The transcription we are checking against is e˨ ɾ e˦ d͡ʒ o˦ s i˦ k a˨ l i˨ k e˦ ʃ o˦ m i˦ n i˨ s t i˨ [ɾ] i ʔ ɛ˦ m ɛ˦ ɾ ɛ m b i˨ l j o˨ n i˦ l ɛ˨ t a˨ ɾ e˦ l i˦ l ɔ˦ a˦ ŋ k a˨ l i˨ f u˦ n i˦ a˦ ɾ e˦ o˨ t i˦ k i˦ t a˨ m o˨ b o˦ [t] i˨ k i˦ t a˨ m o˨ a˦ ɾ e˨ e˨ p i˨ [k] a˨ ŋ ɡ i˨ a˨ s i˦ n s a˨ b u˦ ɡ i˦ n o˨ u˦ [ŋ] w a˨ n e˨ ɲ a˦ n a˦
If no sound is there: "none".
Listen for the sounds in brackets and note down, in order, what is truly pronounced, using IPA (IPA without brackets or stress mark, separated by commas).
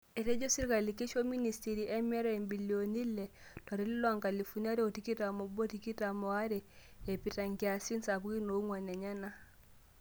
ɾ, t, t, ŋ